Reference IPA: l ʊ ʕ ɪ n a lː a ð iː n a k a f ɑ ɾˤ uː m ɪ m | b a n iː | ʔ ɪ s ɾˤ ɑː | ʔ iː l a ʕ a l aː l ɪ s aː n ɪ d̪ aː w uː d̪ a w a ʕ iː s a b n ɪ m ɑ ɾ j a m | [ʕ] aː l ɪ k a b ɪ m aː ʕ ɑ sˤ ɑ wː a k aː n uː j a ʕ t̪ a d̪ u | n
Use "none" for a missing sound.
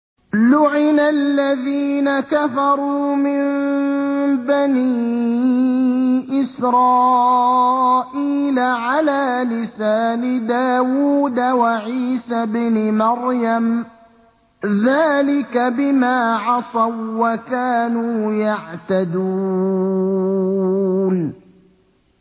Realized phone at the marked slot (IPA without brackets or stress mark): ð